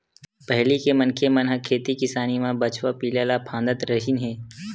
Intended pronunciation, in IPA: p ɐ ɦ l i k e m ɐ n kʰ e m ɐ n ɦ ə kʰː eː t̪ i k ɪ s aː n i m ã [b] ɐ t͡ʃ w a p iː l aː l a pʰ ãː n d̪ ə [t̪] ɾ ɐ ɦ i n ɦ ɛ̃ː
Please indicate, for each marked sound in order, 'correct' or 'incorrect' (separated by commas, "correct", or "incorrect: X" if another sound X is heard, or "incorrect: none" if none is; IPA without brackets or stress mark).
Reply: correct, correct